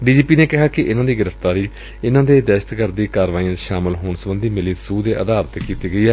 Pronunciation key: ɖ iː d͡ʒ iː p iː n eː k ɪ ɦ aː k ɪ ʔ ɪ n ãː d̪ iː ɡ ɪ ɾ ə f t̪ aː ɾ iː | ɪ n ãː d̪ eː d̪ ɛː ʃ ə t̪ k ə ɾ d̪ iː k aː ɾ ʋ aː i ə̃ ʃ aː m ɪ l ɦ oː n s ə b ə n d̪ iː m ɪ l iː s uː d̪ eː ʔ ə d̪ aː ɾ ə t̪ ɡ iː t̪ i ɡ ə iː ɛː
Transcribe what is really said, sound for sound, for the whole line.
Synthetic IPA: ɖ iː d͡ʒ iː p iː n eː k ɪ ɦ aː k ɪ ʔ ɪ n ãː d̪ iː ɡ ɪ ɾ ə f t̪ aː ɾ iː | ɪ n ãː d̪ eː d̪ ɛː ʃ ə t̪ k ə ɾ d̪ iː k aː ɾ ʋ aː i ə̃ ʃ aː m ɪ l ɦ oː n s ə b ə n d̪ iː m ɪ l iː s uː d̪ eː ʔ ə d̪ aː ɾ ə t̪ k iː t̪ iː ɡ ə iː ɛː